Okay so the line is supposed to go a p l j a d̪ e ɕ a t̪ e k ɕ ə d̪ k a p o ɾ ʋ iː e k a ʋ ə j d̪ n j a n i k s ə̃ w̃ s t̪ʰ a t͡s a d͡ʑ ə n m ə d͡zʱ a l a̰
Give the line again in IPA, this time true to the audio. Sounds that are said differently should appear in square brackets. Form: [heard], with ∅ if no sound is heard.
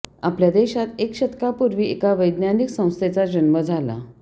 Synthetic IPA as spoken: a p l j a d̪ e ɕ a t̪ e k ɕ ə [t̪] k a p [u] ɾ ʋ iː e k a ʋ ə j d̪ n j a n i k s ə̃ w̃ s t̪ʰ [e] t͡s a d͡ʑ ə n m ə d͡zʱ a l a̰